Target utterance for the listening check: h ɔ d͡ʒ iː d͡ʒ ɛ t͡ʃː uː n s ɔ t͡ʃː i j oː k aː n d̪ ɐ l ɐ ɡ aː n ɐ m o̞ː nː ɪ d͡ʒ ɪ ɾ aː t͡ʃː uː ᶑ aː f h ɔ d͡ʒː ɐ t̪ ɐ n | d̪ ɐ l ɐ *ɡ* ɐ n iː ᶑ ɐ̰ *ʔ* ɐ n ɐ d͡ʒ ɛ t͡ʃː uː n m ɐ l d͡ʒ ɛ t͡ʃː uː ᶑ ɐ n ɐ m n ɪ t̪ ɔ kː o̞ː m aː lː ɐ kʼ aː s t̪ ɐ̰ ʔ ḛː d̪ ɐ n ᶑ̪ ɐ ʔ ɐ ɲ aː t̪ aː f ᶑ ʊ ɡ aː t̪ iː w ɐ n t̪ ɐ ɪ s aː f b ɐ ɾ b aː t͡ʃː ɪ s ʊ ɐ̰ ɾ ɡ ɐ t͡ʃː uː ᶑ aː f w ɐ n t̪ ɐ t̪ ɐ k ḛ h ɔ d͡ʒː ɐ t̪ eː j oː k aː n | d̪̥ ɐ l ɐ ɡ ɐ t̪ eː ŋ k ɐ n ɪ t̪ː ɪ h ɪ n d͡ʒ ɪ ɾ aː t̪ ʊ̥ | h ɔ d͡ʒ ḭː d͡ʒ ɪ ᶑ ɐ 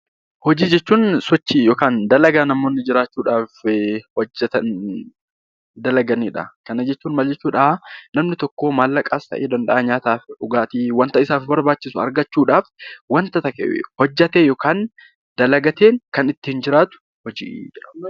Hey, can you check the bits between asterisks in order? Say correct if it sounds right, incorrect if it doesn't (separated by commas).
correct, incorrect